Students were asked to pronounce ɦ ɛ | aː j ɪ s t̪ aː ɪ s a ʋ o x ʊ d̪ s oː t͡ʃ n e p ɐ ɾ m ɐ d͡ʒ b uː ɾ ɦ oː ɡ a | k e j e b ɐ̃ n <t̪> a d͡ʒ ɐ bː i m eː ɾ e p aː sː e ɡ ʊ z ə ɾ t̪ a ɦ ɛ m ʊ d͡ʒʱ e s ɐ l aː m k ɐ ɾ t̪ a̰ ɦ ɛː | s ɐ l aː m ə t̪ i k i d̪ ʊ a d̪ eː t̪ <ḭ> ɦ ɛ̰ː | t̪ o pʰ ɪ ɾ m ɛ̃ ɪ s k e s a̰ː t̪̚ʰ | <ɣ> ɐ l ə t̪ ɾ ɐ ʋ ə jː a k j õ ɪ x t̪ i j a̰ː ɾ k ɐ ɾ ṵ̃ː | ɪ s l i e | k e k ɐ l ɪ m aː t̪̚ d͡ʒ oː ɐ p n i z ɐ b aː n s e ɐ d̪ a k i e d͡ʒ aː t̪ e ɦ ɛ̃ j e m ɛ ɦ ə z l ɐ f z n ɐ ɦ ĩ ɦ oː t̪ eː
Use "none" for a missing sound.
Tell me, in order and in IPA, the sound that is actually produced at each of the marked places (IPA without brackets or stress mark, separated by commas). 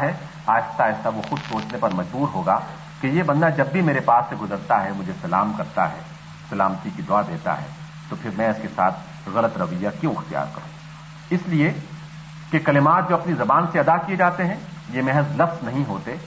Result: d̪, a̰, ɣ